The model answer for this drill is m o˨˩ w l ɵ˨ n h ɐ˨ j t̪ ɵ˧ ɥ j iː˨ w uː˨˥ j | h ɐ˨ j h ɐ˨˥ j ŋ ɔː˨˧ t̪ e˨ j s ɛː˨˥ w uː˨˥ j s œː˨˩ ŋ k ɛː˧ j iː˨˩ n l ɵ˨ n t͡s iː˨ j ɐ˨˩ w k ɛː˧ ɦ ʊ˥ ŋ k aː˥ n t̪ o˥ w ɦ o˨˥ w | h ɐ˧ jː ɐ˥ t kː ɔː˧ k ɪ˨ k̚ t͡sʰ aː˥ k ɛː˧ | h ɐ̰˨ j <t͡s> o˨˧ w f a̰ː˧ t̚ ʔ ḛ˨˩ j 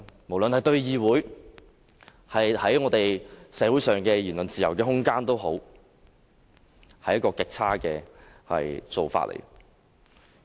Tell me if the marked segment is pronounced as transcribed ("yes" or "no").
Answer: yes